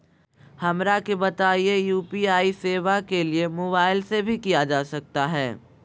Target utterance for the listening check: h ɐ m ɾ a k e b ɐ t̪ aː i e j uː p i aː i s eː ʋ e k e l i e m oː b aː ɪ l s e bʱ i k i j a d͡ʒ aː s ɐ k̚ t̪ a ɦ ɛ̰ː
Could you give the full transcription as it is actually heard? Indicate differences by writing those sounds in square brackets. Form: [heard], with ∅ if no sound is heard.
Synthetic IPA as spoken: h ɐ m ɾ a k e b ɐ t̪ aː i e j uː p i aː i s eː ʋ [a] k e l i e m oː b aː ɪ l s e bʱ i k i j a d͡ʒ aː s ɐ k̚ t̪ a ɦ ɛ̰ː